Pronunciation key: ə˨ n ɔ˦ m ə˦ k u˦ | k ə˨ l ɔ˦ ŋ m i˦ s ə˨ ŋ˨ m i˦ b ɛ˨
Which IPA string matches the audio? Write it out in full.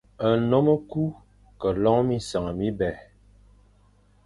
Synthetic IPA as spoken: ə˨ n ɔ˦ m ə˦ k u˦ | k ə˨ l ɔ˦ ŋ m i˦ s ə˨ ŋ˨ m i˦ b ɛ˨